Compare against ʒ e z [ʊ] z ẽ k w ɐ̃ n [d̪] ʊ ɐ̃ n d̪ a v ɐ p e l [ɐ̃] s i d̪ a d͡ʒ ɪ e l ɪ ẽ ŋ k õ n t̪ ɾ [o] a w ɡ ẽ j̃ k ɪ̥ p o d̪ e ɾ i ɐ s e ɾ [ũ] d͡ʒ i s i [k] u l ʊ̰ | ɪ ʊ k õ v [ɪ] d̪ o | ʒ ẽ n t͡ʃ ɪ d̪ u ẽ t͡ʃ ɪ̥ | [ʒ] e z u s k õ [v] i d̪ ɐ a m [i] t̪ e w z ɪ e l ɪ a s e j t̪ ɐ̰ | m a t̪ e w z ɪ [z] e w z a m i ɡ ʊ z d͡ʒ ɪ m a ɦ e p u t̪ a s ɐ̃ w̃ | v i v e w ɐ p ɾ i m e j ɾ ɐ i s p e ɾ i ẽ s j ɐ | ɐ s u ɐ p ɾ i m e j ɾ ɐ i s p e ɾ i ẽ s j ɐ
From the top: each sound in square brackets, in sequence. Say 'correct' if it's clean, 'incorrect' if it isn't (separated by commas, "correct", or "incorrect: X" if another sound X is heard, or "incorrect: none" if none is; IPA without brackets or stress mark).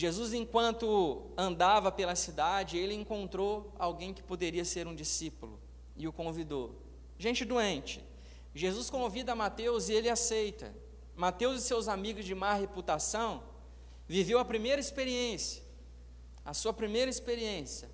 incorrect: u, incorrect: t̪, incorrect: ɐ, correct, correct, incorrect: p, incorrect: i, correct, correct, incorrect: a, incorrect: s